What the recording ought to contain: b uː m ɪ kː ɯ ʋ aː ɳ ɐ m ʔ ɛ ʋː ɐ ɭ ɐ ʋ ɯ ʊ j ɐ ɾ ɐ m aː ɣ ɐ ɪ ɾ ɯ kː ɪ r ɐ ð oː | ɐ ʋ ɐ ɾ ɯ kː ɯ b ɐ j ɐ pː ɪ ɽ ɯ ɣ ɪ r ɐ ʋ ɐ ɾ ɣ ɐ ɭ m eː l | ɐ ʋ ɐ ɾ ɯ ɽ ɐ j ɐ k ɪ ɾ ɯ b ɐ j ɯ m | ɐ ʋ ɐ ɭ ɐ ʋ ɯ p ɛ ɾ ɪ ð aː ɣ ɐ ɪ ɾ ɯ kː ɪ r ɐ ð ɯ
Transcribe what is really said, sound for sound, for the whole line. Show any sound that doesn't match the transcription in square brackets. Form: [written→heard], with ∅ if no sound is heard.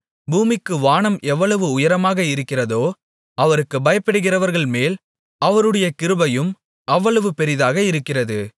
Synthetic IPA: b uː m ɪ kː ɯ ʋ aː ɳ ɐ m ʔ ɛ ʋː ɐ ɭ ɐ ʋ ɯ ʊ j ɐ ɾ ɐ m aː ɣ ɐ ɪ ɾ ɯ kː ɪ r ɐ ð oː | ɐ ʋ ɐ ɾ ɯ kː ɯ b ɐ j ɐ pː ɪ ɽ ɯ ɣ ɪ r ɐ ʋ ɐ ɾ ɣ ɐ ɭ m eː l | ɐ ʋ ɐ ɾ ɯ ɽ ɐ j ɐ k ɪ ɾ ɯ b ɐ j ɯ m | ɐ [ʋ→ʋː] ɐ ɭ ɐ ʋ ɯ p ɛ ɾ ɪ ð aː ɣ ɐ ɪ ɾ ɯ kː ɪ r ɐ ð ɯ